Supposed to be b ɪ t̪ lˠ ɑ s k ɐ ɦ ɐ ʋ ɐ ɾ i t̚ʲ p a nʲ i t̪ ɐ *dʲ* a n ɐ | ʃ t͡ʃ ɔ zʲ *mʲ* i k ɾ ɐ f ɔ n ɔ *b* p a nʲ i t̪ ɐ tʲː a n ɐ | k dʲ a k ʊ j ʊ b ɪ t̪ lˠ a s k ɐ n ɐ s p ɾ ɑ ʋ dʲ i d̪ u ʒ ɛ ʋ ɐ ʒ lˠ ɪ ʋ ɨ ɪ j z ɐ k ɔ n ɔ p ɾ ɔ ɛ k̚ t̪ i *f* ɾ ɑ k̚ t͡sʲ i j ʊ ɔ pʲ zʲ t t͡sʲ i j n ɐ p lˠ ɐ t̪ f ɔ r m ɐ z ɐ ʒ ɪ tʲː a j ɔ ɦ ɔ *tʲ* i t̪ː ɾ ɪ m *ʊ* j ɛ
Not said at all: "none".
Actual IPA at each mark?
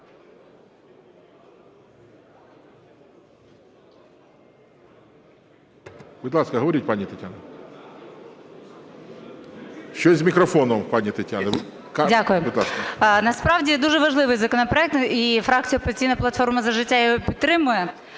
tʲ, mʲ, m, f, pʲ, ʊ

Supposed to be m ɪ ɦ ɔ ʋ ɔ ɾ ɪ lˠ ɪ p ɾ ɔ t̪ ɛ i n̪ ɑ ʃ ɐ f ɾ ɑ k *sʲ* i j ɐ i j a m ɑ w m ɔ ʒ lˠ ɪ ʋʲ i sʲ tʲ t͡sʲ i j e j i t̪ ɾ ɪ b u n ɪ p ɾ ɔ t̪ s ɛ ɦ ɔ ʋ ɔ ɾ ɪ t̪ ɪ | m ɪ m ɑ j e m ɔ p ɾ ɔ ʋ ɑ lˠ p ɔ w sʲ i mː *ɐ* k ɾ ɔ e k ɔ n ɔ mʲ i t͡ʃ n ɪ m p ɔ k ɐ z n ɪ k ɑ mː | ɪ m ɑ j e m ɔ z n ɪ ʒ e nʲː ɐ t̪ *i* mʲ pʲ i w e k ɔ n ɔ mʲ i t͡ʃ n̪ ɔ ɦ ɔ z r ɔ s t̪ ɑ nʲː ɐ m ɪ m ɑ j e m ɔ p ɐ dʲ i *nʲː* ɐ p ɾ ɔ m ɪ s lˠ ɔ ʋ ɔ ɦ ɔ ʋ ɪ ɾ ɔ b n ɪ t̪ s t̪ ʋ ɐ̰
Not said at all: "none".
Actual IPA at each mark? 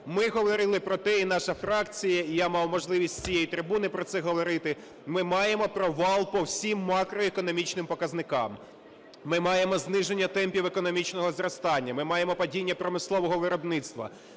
t͡sʲ, ɑ, ɛ, nʲː

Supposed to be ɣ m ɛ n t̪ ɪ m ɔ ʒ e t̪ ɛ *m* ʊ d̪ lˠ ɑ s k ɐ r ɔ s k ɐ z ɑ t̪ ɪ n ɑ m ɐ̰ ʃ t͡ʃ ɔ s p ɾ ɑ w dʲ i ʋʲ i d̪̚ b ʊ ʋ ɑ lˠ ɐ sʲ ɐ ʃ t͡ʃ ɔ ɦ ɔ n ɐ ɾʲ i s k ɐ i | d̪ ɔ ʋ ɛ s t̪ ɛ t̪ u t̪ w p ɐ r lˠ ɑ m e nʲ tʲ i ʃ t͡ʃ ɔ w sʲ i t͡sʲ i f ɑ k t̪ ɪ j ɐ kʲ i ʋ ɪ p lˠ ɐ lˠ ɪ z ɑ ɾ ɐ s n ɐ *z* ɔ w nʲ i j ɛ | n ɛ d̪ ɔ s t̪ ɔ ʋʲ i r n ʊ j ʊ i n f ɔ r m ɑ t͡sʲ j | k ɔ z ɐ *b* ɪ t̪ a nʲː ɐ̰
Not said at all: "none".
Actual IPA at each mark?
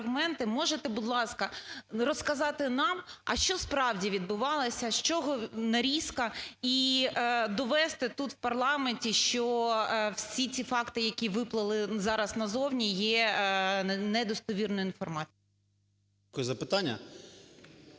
b, z, p

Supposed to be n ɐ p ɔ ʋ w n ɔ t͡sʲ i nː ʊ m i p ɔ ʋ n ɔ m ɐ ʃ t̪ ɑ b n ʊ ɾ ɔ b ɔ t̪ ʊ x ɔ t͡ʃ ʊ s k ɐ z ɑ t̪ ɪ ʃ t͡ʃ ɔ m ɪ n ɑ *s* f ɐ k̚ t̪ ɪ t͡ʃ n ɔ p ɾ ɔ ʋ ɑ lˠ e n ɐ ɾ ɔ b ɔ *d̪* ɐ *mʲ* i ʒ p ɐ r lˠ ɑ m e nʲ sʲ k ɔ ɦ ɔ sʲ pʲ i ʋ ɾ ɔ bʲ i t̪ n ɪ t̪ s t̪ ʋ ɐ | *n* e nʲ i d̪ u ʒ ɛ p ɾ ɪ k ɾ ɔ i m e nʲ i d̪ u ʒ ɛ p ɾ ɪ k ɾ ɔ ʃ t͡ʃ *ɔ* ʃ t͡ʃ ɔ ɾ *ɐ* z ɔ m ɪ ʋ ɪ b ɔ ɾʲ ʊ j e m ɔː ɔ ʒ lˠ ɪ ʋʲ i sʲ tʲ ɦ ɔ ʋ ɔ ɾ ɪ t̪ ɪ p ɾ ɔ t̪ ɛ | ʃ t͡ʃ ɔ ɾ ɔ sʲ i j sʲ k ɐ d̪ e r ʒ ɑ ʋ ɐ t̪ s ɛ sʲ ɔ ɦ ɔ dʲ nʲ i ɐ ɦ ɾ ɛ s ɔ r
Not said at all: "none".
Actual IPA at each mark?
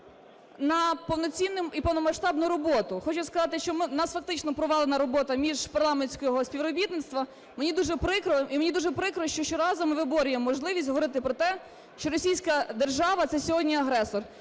s, t̪, mʲ, m, ɔ, ɑ

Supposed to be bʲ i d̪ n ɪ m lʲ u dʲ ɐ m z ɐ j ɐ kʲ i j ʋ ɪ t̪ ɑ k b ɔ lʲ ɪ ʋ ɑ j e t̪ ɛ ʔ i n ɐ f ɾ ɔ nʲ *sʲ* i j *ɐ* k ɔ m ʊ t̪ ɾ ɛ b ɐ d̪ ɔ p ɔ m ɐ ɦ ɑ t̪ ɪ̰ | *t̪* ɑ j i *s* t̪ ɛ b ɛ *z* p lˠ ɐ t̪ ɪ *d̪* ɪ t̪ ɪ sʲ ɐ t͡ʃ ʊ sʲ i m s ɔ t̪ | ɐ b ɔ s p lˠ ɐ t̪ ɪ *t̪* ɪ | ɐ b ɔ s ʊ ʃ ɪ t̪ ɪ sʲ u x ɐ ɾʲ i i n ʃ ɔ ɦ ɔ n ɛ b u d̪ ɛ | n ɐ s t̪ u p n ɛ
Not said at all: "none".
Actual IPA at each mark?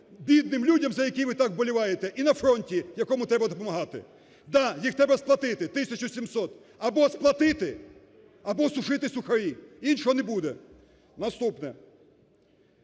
tʲ, ɐ, d̪, x, s, t̪, t̪

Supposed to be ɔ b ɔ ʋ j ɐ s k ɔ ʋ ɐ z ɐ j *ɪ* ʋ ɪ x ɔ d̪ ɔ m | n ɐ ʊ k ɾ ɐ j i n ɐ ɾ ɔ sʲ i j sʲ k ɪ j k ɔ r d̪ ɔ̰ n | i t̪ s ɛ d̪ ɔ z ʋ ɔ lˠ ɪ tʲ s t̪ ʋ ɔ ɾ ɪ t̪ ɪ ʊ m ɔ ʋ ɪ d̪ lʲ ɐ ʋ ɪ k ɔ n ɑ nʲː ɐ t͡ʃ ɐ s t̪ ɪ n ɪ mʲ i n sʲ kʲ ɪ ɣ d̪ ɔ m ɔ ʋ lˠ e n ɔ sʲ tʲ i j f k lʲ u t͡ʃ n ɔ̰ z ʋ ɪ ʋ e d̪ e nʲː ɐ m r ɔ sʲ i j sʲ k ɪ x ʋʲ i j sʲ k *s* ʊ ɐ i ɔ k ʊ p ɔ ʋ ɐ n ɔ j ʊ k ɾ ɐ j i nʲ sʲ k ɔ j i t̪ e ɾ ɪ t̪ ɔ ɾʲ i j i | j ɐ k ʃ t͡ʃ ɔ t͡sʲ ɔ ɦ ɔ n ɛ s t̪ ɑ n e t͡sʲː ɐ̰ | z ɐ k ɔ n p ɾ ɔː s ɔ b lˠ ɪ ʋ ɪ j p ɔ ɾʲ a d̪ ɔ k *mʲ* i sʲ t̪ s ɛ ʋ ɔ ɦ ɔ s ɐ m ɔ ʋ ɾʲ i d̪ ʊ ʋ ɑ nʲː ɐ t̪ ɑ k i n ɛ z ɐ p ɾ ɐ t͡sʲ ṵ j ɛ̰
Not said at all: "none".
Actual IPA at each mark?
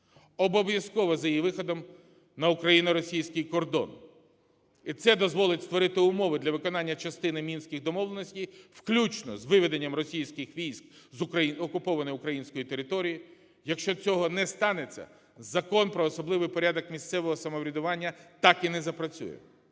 i, z, mʲ

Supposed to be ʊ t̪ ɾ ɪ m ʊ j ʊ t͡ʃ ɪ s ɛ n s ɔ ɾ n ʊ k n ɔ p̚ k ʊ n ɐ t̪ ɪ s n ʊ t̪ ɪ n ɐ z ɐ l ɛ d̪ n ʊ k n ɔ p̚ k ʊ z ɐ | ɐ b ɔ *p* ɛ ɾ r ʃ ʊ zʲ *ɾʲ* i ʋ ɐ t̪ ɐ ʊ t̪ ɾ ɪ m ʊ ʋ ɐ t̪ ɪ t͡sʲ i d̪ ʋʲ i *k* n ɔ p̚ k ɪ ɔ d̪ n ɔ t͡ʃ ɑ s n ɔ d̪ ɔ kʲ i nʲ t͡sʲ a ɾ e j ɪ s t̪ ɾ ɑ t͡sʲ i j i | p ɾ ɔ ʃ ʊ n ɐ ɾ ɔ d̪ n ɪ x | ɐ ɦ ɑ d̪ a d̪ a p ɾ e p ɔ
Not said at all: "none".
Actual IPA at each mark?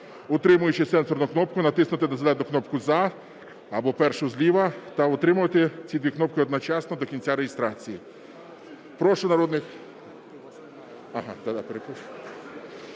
p, lʲ, k

